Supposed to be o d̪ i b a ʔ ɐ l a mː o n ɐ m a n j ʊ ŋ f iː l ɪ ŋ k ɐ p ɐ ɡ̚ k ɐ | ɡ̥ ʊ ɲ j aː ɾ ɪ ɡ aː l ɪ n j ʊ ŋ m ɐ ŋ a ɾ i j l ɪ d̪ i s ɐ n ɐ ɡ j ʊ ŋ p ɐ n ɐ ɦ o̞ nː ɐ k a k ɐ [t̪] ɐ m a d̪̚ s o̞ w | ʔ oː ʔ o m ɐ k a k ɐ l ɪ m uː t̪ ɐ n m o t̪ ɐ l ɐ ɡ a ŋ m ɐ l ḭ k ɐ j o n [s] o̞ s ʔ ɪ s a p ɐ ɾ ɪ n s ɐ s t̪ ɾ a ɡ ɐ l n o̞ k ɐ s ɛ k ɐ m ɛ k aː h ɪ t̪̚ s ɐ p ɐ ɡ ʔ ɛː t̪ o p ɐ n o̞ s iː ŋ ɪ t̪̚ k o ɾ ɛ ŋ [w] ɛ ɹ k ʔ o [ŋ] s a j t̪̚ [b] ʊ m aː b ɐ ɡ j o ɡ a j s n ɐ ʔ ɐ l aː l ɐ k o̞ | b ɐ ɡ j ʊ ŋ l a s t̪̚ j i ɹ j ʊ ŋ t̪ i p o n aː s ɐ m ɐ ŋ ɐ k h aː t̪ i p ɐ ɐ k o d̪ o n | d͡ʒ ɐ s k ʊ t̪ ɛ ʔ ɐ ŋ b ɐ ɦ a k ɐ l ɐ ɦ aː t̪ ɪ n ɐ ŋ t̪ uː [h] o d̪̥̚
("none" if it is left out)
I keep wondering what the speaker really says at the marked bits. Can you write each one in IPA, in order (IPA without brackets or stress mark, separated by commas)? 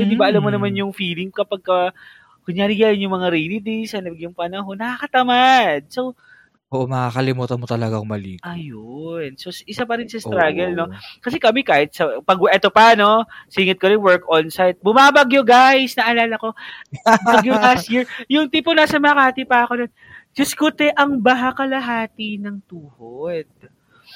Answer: t̪, s, w, n, b, h